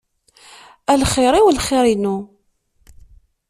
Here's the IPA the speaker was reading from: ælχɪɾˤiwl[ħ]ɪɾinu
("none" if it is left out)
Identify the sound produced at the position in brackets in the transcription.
χ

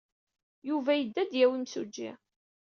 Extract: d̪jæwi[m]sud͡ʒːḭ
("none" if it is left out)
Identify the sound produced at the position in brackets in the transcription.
m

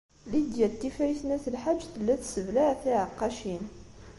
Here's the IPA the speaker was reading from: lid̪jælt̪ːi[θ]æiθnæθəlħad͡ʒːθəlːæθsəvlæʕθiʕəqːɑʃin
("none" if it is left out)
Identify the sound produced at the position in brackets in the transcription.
f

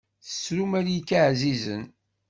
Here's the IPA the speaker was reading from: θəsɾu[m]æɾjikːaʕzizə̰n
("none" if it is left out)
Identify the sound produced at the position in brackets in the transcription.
m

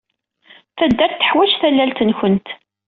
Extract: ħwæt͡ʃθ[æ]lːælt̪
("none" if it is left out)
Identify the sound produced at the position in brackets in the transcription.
æ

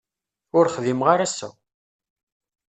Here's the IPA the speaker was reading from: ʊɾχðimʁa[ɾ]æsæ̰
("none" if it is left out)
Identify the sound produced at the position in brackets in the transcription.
ɾ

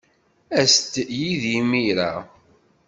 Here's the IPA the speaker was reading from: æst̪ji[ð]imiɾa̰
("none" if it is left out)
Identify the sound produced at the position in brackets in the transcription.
ð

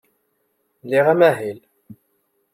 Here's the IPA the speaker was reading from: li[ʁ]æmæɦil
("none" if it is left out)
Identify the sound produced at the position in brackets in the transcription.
ʁ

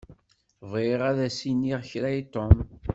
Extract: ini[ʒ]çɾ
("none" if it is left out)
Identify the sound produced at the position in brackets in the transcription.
ʁ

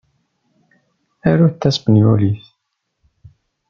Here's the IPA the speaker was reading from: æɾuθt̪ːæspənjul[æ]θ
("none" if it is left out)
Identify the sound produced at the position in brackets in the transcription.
i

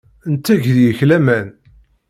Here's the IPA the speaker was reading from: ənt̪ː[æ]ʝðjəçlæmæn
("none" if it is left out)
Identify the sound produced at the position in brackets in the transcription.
æ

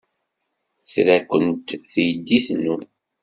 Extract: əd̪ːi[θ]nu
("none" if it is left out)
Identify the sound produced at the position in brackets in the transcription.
θ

